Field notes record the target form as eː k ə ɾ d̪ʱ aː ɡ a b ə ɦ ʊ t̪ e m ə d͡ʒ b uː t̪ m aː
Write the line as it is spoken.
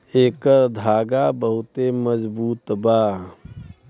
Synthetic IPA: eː k ə ɾ d̪ʱ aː ɡ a b ə ɦ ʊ t̪ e m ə d͡ʒ b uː t̪ b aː

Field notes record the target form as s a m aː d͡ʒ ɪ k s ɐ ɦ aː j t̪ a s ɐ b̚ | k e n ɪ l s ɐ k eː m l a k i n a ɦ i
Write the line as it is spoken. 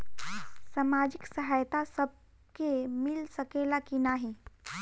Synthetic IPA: s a m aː d͡ʒ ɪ k s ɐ ɦ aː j t̪ a s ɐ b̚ | k e m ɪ l s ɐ k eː l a k i n a ɦ i

